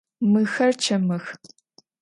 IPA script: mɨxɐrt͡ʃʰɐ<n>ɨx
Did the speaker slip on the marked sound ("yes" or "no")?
yes